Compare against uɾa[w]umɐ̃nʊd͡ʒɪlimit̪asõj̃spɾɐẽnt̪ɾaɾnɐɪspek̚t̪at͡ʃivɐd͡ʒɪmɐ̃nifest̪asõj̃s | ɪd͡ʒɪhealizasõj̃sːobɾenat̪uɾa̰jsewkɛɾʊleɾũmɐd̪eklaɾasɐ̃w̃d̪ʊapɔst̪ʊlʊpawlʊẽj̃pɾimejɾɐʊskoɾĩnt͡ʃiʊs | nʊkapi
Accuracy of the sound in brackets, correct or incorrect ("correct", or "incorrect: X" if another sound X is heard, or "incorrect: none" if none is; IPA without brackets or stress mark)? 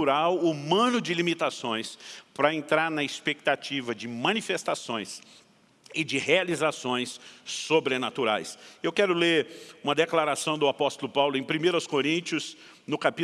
correct